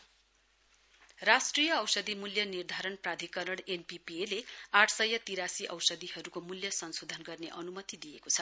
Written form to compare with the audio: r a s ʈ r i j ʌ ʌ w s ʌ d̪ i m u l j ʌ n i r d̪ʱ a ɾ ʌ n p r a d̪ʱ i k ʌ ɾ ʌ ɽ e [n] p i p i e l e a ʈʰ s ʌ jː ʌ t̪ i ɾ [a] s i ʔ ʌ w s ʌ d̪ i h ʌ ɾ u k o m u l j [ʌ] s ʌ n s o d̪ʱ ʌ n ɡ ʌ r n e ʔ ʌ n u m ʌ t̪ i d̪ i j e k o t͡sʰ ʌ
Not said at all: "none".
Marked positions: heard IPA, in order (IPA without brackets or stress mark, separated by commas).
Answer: n, a, ʌ